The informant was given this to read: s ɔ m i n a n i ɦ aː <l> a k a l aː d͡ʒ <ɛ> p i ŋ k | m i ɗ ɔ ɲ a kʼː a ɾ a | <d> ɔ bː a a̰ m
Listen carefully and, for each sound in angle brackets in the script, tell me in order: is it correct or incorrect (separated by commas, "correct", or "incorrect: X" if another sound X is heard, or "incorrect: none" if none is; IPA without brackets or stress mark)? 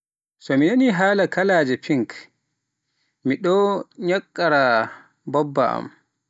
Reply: correct, correct, incorrect: b